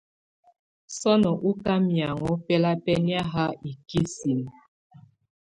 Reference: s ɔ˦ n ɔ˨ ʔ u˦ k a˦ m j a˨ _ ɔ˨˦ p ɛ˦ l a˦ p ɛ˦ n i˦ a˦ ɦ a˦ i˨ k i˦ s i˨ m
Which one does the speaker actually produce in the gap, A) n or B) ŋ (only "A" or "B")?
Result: B